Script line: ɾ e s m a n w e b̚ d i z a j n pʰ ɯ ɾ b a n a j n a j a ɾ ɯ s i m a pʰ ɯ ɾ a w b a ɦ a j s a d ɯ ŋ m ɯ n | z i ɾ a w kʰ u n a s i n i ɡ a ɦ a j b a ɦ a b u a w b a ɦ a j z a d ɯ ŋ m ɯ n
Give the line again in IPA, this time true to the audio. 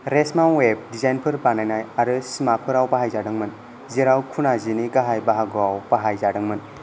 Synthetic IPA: ɾ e s m a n w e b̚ d i z a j n pʰ ɯ ɾ b a n a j n a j a ɾ ɯ s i m a pʰ ɯ ɾ a w b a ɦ a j z a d ɯ ŋ m ɯ n | z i ɾ a w kʰ u n a z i n i ɡ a ɦ a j b a ɦ a ɡ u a w b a ɦ a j z a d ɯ ŋ m ɯ n